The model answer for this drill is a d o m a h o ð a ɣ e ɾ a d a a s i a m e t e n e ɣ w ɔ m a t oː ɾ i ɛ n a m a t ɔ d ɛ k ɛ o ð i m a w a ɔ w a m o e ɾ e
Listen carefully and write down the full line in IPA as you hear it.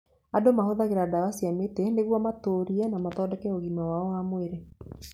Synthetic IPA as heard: a d o m a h o ð a ɣ e ɾ a d a a s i a m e t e n e ɣ w ɔ m a t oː ɾ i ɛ n a m a t ɔ d ɛ k ɛ o ɣ i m a w a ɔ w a m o e ɾ e